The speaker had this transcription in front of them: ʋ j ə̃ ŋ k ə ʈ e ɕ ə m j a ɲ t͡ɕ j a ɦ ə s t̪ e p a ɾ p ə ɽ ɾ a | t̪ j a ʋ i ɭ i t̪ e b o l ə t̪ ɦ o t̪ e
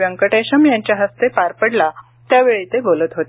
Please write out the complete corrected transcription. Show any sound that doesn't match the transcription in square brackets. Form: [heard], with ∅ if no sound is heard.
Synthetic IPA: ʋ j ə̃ ŋ k ə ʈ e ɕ ə m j a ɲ t͡ɕ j a ɦ ə s t̪ e p a ɾ p ə ɽ [l] a | t̪ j a ʋ [e] ɭ i t̪ e b o l ə t̪ ɦ o t̪ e